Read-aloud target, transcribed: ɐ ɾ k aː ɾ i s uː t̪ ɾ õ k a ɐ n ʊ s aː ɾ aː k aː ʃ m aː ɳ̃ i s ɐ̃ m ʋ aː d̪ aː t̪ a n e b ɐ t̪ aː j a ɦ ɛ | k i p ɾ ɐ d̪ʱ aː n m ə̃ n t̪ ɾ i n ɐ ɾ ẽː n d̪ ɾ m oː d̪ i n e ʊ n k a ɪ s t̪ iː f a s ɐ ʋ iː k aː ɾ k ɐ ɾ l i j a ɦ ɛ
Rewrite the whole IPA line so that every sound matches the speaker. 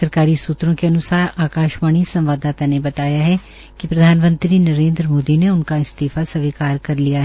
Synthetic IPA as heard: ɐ ɾ k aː ɾ i s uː t̪ ɾ õ k e ɐ n ʊ s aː ɾ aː k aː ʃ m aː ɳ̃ i s ɐ̃ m ʋ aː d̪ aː t̪ a n e b ɐ t̪ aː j a ɦ ɛ | k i p ɾ ɐ d̪ʱ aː n m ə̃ n t̪ ɾ i n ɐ ɾ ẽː n d̪ ɾ m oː d̪ i n e ʊ n k a ɪ s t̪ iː f a s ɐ ʋ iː k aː ɾ k ɐ ɾ l i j a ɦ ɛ